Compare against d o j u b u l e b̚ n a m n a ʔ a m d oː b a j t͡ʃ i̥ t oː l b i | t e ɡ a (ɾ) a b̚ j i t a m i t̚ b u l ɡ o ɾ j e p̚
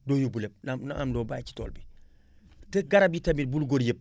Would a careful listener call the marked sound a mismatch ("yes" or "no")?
no